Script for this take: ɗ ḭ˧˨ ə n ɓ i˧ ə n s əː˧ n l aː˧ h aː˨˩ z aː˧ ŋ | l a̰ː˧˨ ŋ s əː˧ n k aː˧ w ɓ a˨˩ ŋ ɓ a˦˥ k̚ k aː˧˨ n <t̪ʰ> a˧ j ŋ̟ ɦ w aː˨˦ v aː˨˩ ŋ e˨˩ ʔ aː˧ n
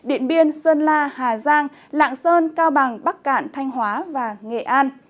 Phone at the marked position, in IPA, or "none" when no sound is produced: t̪ʰ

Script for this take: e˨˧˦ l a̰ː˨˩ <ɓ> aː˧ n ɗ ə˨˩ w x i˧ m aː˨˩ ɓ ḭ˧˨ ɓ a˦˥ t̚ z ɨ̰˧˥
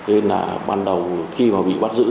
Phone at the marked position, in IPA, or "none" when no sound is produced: ɓ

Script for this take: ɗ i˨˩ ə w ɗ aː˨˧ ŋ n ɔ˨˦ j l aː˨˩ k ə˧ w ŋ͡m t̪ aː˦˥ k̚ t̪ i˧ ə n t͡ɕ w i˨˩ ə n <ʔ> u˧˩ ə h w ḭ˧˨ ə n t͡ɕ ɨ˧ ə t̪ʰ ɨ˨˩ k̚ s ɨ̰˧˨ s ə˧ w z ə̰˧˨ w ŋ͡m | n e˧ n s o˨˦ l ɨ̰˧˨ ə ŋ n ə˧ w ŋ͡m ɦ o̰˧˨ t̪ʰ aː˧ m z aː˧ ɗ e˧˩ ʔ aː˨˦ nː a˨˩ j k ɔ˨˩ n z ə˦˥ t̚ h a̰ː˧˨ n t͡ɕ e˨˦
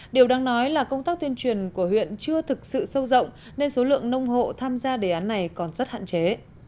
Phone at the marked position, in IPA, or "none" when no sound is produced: k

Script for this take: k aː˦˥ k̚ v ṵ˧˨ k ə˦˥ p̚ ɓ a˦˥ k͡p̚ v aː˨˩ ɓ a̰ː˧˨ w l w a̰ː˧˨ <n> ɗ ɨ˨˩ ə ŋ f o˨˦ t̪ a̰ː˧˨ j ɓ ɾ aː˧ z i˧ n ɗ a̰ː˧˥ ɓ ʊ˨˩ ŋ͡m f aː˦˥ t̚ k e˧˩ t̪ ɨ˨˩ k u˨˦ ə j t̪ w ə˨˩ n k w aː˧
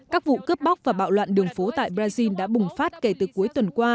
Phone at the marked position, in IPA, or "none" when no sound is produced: n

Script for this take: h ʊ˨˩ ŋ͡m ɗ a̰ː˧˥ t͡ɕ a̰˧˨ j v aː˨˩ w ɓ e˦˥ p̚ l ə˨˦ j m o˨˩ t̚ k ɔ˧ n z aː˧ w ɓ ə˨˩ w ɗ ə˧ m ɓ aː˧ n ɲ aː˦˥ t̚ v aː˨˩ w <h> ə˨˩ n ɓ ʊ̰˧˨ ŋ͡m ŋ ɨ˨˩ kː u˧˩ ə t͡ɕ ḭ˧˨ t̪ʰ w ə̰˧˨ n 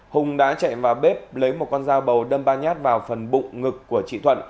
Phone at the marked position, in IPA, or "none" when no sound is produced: f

